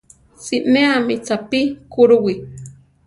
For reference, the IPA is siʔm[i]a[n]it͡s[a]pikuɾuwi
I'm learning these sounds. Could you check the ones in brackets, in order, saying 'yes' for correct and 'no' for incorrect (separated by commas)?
no, no, yes